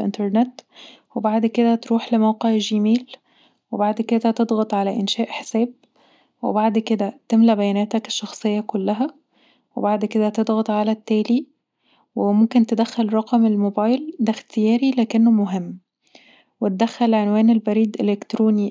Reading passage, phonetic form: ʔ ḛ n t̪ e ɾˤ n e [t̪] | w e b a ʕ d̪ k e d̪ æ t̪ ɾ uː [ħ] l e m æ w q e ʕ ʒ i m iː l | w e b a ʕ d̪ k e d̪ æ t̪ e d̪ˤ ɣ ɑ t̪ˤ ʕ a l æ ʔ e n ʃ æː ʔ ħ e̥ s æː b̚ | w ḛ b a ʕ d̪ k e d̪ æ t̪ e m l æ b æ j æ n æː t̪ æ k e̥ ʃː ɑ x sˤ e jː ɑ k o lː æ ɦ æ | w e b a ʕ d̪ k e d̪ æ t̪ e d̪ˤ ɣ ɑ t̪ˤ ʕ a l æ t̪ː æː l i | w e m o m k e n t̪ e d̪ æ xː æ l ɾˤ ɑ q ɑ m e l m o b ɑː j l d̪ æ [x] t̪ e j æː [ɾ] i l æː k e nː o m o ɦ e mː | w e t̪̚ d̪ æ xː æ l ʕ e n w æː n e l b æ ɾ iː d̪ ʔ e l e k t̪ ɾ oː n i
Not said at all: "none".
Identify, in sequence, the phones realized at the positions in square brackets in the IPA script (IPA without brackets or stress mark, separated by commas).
t̪, ħ, x, ɾ